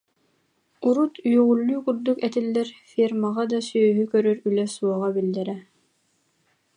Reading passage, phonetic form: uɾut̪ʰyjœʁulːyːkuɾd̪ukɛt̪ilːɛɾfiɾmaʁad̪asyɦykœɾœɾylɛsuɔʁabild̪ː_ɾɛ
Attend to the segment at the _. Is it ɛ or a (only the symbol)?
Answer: ɛ